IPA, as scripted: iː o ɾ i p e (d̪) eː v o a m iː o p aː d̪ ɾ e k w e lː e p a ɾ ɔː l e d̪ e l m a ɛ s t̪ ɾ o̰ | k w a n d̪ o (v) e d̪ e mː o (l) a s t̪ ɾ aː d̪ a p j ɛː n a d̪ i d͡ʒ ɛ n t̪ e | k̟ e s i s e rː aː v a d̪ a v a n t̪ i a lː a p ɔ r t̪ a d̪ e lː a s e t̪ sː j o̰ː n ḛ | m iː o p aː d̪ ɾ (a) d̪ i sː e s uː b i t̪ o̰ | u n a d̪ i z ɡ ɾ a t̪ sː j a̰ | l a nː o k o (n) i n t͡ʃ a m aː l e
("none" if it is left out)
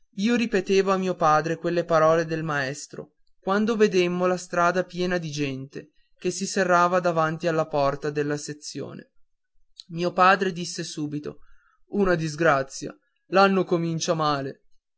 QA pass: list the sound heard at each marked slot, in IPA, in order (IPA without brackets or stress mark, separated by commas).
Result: t̪, v, l, e, m